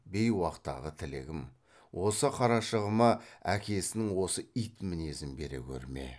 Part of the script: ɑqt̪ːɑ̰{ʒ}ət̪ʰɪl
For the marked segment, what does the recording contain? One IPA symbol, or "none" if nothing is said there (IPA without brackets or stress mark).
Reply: ʁ